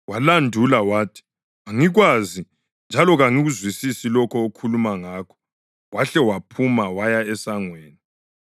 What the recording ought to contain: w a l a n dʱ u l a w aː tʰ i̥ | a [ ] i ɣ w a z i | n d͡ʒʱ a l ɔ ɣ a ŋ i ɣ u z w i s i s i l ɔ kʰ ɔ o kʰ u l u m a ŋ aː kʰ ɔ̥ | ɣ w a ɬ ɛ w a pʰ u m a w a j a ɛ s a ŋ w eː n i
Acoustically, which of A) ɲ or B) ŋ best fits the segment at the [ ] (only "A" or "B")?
B